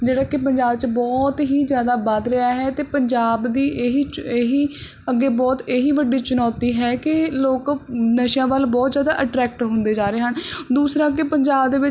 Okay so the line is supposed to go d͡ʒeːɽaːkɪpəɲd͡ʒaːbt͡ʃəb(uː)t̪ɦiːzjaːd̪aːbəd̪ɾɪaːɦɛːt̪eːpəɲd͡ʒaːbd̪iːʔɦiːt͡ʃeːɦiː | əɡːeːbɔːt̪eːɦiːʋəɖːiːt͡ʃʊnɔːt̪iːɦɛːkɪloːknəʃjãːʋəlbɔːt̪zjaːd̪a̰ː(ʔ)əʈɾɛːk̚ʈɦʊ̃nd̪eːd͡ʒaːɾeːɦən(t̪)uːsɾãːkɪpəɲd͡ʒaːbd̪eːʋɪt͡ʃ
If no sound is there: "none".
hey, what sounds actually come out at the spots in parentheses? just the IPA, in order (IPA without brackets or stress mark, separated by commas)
ɔː, ʔ, d̪